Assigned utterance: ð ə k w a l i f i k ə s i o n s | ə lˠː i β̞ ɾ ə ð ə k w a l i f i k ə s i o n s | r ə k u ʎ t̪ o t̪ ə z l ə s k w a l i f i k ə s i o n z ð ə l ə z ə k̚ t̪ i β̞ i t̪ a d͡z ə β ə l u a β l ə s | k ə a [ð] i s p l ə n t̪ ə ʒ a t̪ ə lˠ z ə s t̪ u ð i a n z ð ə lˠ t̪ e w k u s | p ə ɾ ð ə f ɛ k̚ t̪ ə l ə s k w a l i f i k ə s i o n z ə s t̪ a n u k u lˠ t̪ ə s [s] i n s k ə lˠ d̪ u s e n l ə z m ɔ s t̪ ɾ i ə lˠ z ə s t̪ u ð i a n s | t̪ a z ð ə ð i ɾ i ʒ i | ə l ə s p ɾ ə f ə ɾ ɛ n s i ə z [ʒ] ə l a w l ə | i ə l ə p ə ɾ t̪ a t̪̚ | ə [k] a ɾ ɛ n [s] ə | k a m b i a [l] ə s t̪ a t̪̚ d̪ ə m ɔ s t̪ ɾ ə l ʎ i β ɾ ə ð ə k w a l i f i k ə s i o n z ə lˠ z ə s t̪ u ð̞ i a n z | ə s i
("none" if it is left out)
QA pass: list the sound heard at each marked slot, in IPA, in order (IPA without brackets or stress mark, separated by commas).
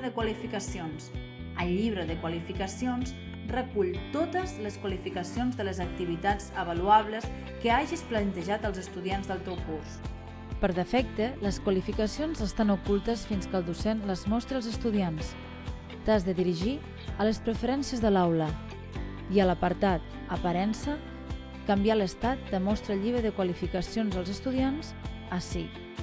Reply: ʒ, f, ð, p, s, l